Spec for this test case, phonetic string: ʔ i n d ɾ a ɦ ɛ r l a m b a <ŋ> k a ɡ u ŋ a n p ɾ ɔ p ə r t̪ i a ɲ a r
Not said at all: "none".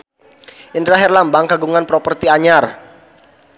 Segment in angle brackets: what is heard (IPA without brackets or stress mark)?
ŋ